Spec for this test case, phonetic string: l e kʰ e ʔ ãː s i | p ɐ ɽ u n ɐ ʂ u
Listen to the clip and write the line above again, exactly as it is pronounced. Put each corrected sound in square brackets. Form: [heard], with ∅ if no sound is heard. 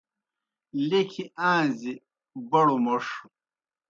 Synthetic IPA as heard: l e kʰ [i] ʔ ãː [z] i | [b] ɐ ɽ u [m] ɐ ʂ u